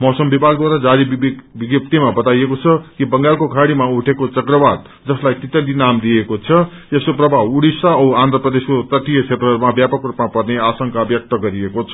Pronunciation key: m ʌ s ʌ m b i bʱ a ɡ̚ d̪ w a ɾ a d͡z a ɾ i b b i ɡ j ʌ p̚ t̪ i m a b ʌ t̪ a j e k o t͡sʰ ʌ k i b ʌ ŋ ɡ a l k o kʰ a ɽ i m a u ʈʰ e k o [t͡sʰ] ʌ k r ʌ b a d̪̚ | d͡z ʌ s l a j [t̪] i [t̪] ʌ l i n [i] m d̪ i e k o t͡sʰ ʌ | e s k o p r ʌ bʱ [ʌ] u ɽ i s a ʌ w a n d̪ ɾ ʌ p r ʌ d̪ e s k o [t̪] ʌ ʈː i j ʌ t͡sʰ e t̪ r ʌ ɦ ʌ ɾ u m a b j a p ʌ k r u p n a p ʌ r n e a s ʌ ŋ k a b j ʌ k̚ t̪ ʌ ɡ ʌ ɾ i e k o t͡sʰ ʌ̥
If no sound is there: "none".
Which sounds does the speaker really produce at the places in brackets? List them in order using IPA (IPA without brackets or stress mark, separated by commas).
t͡s, t̪, t̪, a, a, t̪